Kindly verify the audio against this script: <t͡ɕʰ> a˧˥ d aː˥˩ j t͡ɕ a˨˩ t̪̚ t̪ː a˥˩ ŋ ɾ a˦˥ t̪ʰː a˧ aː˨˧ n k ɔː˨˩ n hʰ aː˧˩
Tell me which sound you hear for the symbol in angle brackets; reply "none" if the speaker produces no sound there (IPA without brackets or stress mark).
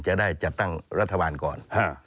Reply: t͡ɕ